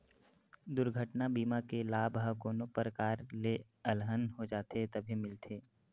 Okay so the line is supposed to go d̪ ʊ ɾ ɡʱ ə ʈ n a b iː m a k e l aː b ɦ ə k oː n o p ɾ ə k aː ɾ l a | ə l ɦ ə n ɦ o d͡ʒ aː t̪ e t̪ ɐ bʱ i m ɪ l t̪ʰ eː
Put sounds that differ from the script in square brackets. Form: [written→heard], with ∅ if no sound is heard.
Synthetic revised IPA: d̪ ʊ ɾ ɡʱ ə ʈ n a b iː m a k e l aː b ɦ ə k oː n o p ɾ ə k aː ɾ l [a→e] | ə l ɦ ə n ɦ o d͡ʒ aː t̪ e t̪ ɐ bʱ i m ɪ l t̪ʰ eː